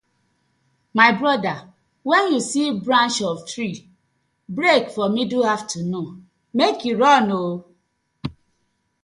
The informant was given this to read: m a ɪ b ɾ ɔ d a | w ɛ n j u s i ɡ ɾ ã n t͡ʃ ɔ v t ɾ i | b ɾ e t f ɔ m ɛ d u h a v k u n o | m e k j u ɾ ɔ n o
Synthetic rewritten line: m a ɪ b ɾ ɔ d a | w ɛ n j u s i b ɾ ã n t͡ʃ ɔ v t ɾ i | b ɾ e k f ɔ m i d u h a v t u n o | m e k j u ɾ ɔ n o